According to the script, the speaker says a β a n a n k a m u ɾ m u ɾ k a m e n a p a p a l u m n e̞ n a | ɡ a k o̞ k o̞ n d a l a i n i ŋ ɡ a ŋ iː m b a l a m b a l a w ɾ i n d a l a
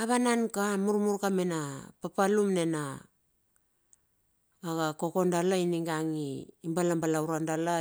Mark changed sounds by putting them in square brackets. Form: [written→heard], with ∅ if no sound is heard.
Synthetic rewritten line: a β a n a n k a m u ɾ m u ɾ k a m e n a p a p a l u m n e̞ n a | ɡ a k o̞ k o̞ n d a l a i n i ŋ ɡ a ŋ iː m b a l a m b a l a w ɾ [i→a] n d a l a